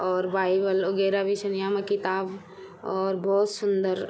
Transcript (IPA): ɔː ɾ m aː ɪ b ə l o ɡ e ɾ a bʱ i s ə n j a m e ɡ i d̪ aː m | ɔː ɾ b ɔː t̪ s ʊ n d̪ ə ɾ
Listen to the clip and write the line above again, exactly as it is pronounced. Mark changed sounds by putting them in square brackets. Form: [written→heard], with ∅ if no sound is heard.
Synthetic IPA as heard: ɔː ɾ [m→b] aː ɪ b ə l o ɡ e ɾ a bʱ i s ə n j a m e [ɡ→k] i [d̪→t̪] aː [m→b] | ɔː ɾ b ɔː t̪ s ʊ n d̪ ə ɾ